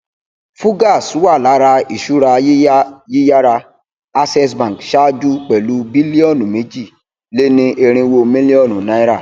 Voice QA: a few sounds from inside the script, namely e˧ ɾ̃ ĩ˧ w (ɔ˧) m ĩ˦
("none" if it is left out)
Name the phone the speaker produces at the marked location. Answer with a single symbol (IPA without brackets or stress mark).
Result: o˧